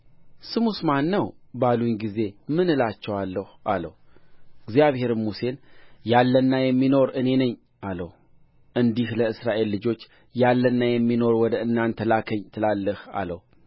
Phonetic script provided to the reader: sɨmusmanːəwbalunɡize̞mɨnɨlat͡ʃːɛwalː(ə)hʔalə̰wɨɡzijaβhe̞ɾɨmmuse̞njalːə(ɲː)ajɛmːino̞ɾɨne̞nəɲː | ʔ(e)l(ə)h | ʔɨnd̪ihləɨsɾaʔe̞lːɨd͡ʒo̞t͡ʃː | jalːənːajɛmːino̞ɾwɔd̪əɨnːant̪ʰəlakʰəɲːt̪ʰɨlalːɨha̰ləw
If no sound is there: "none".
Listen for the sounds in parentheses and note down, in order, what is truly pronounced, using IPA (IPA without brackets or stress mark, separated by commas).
ə, nː, a, ə